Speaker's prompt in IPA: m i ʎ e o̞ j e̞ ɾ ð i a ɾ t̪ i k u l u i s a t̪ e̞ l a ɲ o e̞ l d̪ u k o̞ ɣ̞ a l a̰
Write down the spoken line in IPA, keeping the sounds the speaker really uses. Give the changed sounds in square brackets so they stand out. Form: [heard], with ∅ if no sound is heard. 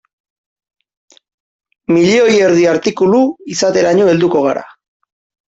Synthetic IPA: m i ʎ e o̞ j e̞ ɾ ð i a ɾ t̪ i k u l u i s a t̪ e̞ [ɾ] a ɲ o e̞ l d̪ u k o̞ ɣ̞ a [ɾ] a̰